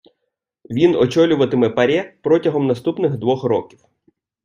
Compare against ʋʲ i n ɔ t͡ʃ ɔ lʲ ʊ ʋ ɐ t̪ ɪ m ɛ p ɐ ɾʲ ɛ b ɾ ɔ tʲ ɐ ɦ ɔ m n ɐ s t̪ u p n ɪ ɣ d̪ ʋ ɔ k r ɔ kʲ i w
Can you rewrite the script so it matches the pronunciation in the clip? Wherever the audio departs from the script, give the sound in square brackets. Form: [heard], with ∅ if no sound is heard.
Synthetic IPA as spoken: ʋʲ i n ɔ t͡ʃ ɔ lʲ ʊ ʋ ɐ t̪ ɪ m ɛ p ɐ ɾʲ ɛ [p] ɾ ɔ tʲ ɐ ɦ ɔ m n ɐ s t̪ u p n ɪ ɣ d̪ ʋ ɔ [x] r ɔ kʲ i w